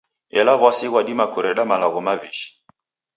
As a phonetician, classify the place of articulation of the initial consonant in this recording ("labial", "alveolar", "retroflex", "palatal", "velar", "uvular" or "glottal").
alveolar